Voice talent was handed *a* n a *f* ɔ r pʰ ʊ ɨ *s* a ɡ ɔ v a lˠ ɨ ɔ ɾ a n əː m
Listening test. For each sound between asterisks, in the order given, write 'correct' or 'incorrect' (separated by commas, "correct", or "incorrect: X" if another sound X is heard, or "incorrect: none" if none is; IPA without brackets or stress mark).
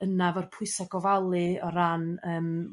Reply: incorrect: ə, incorrect: v, correct